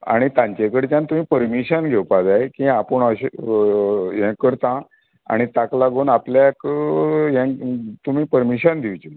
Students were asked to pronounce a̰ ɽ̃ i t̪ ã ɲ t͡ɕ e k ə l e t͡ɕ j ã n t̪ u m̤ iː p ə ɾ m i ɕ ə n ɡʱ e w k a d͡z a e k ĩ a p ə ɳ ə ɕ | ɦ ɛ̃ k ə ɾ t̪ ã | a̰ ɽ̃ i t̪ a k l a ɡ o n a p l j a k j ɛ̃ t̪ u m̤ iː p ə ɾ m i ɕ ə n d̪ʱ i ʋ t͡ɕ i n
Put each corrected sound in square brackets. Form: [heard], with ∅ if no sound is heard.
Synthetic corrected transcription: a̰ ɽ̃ i t̪ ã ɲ t͡ɕ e k ə [ɽ] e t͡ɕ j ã n t̪ u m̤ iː p ə ɾ m i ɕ ə n ɡʱ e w [p] a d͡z a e k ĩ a p ə ɳ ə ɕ | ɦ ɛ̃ k ə ɾ t̪ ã | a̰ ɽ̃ i t̪ a k l a ɡ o n a p l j a k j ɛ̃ t̪ u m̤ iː p ə ɾ m i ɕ ə n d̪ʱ i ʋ t͡ɕ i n

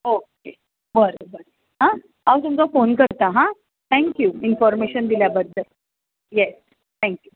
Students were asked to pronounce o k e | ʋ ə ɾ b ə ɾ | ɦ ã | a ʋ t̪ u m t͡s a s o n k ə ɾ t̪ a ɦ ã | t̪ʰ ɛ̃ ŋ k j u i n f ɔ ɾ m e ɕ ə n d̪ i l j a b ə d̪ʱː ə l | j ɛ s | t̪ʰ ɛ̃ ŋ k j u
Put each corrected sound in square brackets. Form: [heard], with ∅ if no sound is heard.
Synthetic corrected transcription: o k e | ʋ ə ɾ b ə ɾ | ɦ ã | a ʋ t̪ u m t͡s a [f] o n k ə ɾ t̪ a ɦ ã | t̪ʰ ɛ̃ ŋ k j u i n f ɔ ɾ m e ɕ ə n d̪ i l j a b ə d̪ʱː ə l | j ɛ s | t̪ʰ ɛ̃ ŋ k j u

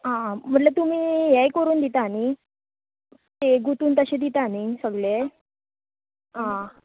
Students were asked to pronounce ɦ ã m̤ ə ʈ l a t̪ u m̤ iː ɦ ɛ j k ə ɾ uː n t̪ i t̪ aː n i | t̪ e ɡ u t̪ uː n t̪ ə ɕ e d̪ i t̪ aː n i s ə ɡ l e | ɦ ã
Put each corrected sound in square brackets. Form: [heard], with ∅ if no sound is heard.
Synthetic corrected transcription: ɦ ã m̤ ə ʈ l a t̪ u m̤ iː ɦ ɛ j k ə ɾ uː n [d̪] i t̪ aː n i | t̪ e ɡ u t̪ uː n t̪ ə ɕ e d̪ i t̪ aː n i s ə ɡ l e | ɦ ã

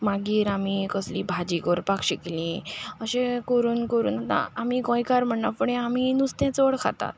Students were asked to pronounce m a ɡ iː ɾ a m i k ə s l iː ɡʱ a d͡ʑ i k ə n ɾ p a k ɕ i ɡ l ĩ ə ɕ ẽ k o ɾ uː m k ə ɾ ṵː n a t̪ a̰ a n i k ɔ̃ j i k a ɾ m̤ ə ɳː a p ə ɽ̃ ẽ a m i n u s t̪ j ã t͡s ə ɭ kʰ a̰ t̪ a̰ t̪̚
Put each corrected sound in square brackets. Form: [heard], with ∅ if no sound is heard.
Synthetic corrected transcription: m a ɡ iː ɾ a m i k ə s l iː [bʱ] a d͡ʑ i k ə [∅] ɾ p a k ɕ i [k] l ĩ ə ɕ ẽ k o ɾ uː [n] k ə ɾ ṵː n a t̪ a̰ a [m] i k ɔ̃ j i k a ɾ m̤ ə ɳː a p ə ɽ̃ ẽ a m i n u s t̪ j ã t͡s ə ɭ kʰ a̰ t̪ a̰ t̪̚

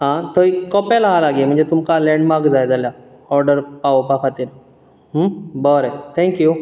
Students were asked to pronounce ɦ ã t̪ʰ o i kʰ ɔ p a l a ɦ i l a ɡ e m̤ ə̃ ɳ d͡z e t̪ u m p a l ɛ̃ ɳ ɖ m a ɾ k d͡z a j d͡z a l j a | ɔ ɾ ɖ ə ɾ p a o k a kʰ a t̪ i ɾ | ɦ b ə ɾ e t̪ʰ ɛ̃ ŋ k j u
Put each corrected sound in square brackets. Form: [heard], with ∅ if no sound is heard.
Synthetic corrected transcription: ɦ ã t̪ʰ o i [k] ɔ p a l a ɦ [a] l a ɡ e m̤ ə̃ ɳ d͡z e t̪ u m [k] a l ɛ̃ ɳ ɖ m a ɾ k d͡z a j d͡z a l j a | ɔ ɾ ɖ ə ɾ p a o [p] a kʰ a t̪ i ɾ | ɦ b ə ɾ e t̪ʰ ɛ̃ ŋ k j u

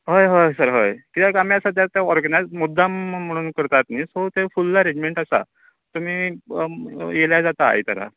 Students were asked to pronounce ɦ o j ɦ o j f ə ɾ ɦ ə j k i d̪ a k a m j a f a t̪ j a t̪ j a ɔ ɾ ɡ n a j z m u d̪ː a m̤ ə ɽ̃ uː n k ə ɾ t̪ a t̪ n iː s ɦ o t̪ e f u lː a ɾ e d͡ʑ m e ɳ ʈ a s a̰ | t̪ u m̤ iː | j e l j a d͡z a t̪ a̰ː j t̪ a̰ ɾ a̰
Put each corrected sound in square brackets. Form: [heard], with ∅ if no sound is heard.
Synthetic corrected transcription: ɦ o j ɦ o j [s] ə ɾ ɦ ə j k i [t̪] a k a m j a [s] a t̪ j a t̪ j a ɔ ɾ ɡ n a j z m u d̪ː a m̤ ə ɽ̃ uː n k ə ɾ t̪ a t̪ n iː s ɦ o t̪ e f u lː a ɾ e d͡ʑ m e ɳ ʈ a s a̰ | t̪ u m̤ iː | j e l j a d͡z a t̪ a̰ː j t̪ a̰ ɾ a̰

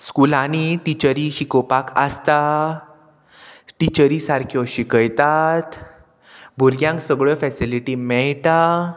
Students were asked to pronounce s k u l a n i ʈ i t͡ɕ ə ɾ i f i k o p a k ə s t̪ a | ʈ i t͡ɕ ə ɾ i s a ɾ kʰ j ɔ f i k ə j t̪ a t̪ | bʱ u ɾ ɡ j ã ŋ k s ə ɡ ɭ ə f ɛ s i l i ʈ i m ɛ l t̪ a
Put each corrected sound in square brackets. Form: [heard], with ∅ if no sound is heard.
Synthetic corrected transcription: s k u l a n i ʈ i t͡ɕ ə ɾ i [ɕ] i k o p a k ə s t̪ a | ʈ i t͡ɕ ə ɾ i s a ɾ kʰ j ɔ [ɕ] i k ə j t̪ a t̪ | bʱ u ɾ ɡ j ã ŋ k s ə ɡ ɭ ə f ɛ s i l i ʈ i m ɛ [ɭ] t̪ a

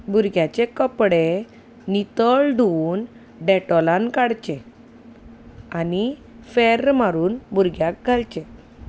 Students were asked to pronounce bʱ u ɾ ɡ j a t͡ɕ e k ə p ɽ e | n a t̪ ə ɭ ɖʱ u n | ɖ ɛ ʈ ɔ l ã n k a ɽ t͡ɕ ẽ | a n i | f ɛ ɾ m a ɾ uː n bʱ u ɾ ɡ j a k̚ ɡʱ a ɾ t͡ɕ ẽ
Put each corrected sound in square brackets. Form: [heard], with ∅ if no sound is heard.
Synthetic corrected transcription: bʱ u ɾ ɡ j a t͡ɕ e k ə p ɽ e | n [i] t̪ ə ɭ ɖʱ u n | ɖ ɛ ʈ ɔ l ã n k a ɽ t͡ɕ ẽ | a n i | f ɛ ɾ m a ɾ uː n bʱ u ɾ ɡ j a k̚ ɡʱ a [l] t͡ɕ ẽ

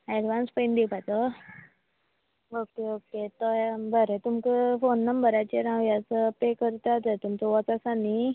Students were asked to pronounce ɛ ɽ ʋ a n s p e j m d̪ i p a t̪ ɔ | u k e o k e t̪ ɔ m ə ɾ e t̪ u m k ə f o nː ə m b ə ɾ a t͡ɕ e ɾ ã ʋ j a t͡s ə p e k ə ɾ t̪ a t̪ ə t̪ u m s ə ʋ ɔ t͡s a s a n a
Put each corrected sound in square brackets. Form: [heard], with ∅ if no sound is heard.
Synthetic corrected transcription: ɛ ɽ ʋ a n s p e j [n] d̪ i p a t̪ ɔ | [o] k e o k e t̪ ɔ [b] ə ɾ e t̪ u m k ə f o nː ə m b ə ɾ a t͡ɕ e ɾ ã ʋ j a t͡s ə p e k ə ɾ t̪ a t̪ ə t̪ u m [t͡s] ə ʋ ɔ t͡s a s a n [i]

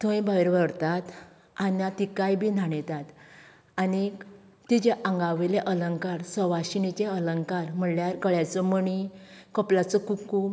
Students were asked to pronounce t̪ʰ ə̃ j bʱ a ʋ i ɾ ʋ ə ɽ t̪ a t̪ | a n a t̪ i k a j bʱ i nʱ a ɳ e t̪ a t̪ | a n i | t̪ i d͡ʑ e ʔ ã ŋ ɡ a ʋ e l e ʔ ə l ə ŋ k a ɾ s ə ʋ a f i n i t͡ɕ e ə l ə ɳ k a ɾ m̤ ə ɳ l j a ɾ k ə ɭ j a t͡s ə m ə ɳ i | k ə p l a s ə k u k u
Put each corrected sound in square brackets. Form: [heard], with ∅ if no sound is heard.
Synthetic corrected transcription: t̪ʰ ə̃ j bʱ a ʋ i ɾ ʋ ə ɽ t̪ a t̪ | a n a t̪ i k a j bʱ i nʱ a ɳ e t̪ a t̪ | a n i | t̪ i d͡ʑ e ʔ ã ŋ ɡ a ʋ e l e ʔ ə l ə ŋ k a ɾ s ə ʋ a [ɕ] i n i t͡ɕ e ə l ə [ŋ] k a ɾ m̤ ə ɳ l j a ɾ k ə ɭ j a t͡s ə m ə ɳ i | k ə p l a [t͡s] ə k u k u

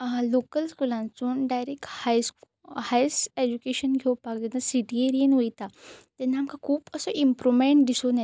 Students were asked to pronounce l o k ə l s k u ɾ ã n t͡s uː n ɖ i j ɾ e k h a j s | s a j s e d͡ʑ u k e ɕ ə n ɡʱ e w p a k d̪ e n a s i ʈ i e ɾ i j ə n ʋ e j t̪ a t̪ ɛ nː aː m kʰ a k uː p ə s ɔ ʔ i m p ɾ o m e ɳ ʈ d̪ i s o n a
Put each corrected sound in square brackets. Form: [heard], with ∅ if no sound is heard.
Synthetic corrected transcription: l o k ə l s k u [l] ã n t͡s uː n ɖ [a] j ɾ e k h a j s | [h] a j s e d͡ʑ u k e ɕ ə n ɡʱ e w p a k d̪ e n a s i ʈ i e ɾ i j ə n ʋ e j t̪ a t̪ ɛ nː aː m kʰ a [kʰ] uː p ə s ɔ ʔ i m p ɾ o m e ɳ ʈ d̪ i s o n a

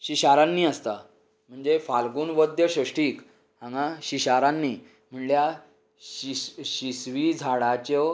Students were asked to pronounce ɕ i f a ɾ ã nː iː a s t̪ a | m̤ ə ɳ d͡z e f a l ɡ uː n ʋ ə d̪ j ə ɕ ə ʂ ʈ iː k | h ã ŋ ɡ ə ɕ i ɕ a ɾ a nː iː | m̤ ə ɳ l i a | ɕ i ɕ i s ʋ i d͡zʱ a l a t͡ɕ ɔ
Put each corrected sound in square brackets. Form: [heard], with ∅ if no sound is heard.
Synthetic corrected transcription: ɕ i [ɕ] a ɾ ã nː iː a s t̪ a | m̤ ə ɳ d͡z e f a l ɡ uː n ʋ ə d̪ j ə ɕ ə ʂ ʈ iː k | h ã ŋ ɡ [a] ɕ i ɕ a ɾ a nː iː | m̤ ə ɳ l [j] a | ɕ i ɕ i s ʋ i d͡zʱ a [ɽ] a t͡ɕ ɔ

